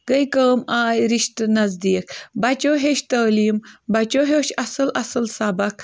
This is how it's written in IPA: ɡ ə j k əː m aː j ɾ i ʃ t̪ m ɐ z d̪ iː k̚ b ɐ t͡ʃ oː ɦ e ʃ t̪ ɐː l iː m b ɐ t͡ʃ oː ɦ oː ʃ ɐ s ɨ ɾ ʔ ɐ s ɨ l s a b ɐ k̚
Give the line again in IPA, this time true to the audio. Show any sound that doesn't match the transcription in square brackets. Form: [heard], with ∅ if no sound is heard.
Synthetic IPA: ɡ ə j k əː m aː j ɾ i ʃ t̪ [n] ɐ z d̪ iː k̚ b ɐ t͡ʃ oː ɦ e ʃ t̪ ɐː l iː m b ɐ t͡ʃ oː ɦ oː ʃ ɐ s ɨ [l] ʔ ɐ s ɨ l s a b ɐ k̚

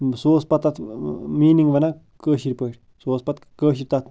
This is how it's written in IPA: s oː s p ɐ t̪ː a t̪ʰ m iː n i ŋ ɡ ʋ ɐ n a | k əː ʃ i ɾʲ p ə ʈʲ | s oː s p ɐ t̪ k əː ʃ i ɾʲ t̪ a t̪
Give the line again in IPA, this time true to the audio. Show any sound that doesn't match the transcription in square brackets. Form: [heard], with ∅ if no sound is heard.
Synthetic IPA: s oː s p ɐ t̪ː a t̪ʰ m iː n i ŋ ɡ ʋ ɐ n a | k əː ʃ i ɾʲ p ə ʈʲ | s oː s p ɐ t̪ k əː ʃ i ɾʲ t̪ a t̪

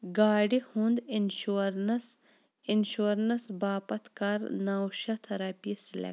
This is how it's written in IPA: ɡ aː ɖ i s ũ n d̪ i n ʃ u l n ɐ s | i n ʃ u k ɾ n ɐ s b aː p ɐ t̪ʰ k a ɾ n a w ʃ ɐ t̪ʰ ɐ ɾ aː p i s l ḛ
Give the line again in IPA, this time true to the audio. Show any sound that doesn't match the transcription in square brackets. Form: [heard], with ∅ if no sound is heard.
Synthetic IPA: ɡ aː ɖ i [h] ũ n d̪ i n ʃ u [ɾ] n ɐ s | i n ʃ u [∅] ɾ n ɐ s b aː p ɐ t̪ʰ k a ɾ n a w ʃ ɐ t̪ʰ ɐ ɾ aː p i s l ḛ

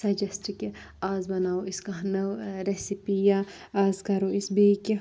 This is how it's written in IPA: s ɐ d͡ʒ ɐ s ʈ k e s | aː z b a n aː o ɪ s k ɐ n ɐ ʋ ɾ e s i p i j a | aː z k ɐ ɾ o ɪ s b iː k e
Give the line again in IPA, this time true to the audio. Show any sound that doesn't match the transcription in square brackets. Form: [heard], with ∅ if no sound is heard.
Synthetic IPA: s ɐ d͡ʒ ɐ s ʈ k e [∅] | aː z b [ɐ] n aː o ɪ s k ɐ n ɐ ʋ ɾ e s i p i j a | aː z k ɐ ɾ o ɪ s b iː k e

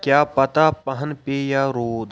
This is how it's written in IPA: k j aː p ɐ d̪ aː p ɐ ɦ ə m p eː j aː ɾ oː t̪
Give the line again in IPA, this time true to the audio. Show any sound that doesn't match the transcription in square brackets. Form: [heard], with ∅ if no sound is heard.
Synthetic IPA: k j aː p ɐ [t̪] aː p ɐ ɦ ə [n] p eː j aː ɾ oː [d̪]

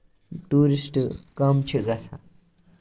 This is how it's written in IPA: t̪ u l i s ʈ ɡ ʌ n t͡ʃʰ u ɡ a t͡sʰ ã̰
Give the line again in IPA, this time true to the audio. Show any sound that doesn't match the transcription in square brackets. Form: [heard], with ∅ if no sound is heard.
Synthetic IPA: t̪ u [ɾ] i s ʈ [k] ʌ [m] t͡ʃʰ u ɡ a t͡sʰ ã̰

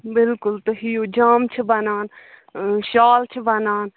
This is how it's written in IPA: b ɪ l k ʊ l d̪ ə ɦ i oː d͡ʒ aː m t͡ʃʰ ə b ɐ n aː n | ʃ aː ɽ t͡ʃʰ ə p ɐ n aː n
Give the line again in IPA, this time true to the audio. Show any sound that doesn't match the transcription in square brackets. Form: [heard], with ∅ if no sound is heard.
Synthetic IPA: b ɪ l k ʊ l [t̪] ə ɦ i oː d͡ʒ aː m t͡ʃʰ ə b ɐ n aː n | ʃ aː [l] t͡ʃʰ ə [b] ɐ n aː n

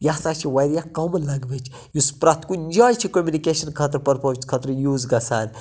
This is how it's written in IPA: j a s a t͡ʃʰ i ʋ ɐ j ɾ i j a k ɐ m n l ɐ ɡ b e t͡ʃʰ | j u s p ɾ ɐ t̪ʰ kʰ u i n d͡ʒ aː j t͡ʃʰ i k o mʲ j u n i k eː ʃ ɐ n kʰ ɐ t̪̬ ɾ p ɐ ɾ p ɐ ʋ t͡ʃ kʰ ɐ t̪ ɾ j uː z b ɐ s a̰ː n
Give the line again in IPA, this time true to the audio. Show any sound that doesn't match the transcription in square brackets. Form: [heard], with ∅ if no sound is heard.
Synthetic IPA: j a s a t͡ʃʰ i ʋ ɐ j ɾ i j a k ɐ m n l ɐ ɡ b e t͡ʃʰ | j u s p ɾ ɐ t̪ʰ [k] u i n d͡ʒ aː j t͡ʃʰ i k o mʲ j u n i k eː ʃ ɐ n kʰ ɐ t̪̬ ɾ p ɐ ɾ p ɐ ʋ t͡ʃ kʰ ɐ t̪ ɾ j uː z [ɡ] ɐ s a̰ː n

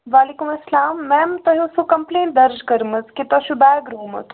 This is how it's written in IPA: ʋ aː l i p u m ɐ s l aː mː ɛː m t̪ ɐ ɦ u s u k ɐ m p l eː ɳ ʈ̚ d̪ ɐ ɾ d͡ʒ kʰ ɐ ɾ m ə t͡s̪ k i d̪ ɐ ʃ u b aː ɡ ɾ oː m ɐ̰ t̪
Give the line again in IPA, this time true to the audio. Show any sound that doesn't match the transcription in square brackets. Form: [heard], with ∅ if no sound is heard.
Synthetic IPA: ʋ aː l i [k] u m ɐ s l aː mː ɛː m t̪ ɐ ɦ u s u k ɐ m p l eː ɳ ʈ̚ d̪ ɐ ɾ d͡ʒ [k] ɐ ɾ m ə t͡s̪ k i [t̪] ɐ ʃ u b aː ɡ ɾ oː m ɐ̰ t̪

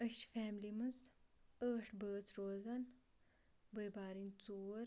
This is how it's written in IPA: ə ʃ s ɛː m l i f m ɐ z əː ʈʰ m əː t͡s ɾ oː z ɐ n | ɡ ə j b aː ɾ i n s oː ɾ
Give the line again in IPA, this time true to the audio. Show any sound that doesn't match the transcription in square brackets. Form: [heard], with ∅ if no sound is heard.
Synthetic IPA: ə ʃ [f] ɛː m l i [∅] m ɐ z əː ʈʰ [b] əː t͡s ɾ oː z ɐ n | [b] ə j b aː ɾ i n [t͡s] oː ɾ

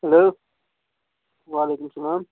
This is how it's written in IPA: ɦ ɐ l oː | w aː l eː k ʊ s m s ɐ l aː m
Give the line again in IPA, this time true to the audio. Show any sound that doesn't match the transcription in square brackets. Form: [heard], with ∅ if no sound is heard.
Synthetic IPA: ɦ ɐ l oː | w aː l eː k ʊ [∅] m s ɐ l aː m

